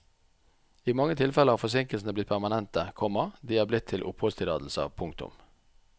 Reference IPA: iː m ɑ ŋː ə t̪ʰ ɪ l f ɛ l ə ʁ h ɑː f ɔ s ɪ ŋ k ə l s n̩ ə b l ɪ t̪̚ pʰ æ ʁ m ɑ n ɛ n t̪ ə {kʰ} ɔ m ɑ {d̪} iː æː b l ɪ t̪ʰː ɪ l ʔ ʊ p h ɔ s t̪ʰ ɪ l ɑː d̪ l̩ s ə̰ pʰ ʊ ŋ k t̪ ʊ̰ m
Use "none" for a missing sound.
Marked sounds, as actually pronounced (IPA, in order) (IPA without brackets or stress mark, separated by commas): kʰ, d̪